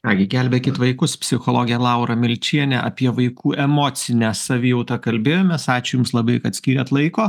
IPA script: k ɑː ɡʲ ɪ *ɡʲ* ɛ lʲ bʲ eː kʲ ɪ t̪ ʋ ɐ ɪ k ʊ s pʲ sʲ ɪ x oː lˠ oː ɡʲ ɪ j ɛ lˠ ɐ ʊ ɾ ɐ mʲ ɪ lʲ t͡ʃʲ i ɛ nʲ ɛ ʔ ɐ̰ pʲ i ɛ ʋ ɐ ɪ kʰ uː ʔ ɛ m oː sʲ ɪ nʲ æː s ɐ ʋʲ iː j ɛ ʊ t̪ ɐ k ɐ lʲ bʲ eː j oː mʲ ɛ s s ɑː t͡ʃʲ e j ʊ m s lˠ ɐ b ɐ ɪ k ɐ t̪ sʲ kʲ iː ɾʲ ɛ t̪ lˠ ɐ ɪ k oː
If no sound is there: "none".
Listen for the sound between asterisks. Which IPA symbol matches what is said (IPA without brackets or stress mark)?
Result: ɡʲ